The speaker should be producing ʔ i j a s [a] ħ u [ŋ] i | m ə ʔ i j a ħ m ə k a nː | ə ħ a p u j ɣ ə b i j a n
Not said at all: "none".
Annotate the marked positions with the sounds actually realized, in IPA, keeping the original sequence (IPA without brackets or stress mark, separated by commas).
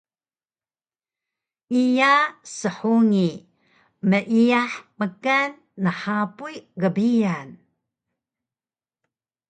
ə, ŋ